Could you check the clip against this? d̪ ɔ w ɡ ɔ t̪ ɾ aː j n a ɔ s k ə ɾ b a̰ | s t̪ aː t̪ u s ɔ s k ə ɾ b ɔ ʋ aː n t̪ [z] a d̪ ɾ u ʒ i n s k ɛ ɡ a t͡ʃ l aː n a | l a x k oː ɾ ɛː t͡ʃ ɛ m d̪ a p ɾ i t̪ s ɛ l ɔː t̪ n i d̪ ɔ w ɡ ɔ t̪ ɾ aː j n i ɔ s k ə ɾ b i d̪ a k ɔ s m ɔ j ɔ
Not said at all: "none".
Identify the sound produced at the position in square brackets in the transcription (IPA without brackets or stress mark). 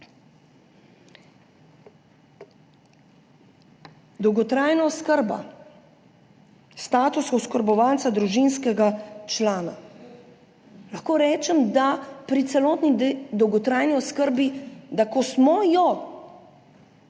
s